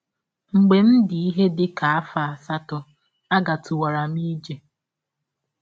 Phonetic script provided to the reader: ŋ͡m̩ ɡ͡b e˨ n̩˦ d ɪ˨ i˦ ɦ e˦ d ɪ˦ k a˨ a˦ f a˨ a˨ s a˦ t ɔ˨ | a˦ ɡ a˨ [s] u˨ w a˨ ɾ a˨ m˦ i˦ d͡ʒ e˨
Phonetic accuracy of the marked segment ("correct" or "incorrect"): incorrect